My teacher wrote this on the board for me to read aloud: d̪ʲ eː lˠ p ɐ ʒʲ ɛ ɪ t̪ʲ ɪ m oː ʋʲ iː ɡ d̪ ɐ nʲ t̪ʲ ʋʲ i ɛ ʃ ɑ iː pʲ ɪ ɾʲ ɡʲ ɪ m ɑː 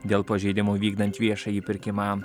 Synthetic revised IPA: d̪ʲ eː lˠ p ɐ ʒʲ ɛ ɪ d̪ʲ ɪ m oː ʋʲ iː ɡ d̪ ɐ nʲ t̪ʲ ʋʲ i ɛ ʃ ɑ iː pʲ ɪ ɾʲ kʲ ɪ m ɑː

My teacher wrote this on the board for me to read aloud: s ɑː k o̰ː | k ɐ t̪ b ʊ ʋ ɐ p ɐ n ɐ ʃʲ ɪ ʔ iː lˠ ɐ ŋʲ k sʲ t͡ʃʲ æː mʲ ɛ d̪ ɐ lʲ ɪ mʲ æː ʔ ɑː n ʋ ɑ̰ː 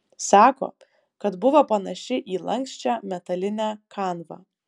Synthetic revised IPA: s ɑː k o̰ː | k ɐ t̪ b ʊ ʋ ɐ p ɐ n ɐ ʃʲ ɪ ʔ iː lˠ ɐ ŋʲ k sʲ t͡ʃʲ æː mʲ ɛ t̪ ɐ lʲ ɪ nʲ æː k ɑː n ʋ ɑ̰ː

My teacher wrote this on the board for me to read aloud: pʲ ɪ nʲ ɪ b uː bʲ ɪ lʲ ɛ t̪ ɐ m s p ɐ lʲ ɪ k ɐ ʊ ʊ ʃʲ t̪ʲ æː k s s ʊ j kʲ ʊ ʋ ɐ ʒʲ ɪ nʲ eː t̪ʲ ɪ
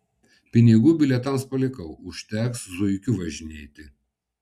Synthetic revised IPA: pʲ ɪ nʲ ɪ ɡ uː bʲ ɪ lʲ ɛ t̪ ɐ m s p ɐ lʲ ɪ k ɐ ʊ ʊ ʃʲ t̪ʲ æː k s z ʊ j kʲ ʊ ʋ ɐ ʒʲ ɪ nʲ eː t̪ʲ ɪ

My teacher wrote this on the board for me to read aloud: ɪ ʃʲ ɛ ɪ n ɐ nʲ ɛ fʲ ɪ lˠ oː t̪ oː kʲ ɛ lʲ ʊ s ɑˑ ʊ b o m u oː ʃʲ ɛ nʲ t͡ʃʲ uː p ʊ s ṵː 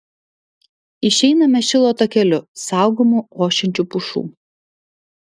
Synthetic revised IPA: ɪ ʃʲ ɛ ɪ n ɐ mʲ ɛ ʃʲ ɪ lˠ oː t̪ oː kʲ ɛ lʲ ʊ s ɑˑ ʊ ɡ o m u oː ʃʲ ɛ nʲ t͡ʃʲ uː p ʊ ʃ ṵː

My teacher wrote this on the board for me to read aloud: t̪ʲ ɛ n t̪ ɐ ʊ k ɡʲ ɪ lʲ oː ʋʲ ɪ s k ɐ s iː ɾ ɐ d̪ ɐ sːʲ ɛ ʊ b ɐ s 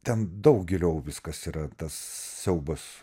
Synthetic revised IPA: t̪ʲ ɛ n d̪ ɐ ʊ k ɡʲ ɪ lʲ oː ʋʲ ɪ s k ɐ s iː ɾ ɐ t̪ ɐ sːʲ ɛ ʊ b ɐ s

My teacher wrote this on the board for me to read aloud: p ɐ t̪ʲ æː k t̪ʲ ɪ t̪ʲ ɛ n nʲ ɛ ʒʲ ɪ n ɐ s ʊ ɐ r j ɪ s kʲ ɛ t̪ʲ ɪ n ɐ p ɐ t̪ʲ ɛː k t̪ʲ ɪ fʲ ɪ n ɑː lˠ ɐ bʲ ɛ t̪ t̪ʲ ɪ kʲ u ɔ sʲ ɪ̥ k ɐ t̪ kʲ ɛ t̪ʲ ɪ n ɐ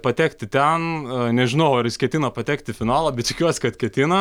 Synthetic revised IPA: p ɐ t̪ʲ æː k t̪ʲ ɪ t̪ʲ ɛ n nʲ ɛ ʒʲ ɪ n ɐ ʊ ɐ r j ɪ s kʲ ɛ t̪ʲ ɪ n ɐ p ɐ t̪ʲ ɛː k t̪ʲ ɪ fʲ ɪ n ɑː lˠ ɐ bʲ ɛ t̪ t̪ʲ ɪ kʲ u ɔ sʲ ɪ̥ k ɐ t̪ kʲ ɛ t̪ʲ ɪ n ɐ

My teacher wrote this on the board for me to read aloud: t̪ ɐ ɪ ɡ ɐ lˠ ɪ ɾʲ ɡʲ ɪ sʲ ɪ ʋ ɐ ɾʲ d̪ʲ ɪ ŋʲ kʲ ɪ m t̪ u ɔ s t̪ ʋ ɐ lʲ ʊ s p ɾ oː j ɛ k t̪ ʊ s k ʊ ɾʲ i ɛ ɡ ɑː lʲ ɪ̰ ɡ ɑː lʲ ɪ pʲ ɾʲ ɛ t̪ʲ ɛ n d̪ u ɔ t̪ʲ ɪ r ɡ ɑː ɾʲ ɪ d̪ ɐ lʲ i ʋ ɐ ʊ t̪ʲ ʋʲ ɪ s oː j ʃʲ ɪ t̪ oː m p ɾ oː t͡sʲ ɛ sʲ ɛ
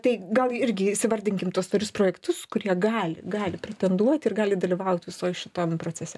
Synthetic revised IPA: t̪ ɐ ɪ ɡ ɐ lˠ ɪ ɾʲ ɡʲ ɪ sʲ ɪ ʋ ɐ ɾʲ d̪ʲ ɪ ŋʲ kʲ ɪ m t̪ u ɔ s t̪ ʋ ɐ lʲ ʊ s p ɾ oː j ɛ k t̪ ʊ s k ʊ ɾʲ i ɛ ɡ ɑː lʲ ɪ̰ ɡ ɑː lʲ ɪ pʲ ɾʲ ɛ t̪ʲ ɛ n d̪ u ɔ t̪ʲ ɪ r ɡ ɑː lʲ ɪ d̪ ɐ lʲ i ʋ ɐ ʊ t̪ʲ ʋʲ ɪ s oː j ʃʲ ɪ t̪ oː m p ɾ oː t͡sʲ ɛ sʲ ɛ

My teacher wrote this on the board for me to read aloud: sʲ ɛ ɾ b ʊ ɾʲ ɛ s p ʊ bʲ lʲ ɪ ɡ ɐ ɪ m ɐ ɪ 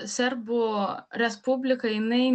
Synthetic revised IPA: sʲ ɛ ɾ b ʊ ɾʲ ɛ s p ʊ bʲ lʲ ɪ k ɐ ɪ n ɐ ɪ

